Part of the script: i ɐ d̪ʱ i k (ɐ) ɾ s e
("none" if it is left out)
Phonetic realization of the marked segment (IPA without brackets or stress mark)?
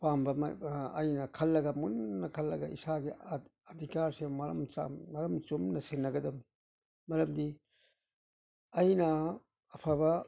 a